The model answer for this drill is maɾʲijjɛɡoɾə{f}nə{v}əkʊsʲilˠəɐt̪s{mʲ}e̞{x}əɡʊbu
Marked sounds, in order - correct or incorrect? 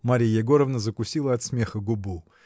incorrect: v, incorrect: z, correct, correct

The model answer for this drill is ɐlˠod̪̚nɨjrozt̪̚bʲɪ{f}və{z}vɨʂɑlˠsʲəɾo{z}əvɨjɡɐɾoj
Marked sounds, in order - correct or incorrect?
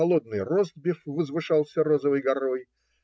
correct, correct, correct

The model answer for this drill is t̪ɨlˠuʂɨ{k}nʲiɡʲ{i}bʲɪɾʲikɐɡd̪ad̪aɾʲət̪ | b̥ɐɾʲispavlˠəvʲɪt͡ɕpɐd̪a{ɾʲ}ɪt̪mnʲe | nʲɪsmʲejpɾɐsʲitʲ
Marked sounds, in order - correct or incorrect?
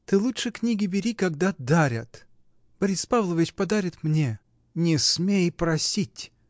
correct, incorrect: ɪ, correct

